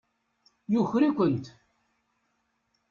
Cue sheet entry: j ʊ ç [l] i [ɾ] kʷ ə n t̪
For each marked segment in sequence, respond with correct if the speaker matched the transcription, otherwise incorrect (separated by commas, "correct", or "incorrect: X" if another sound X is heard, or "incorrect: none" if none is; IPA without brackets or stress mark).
incorrect: ɾ, incorrect: none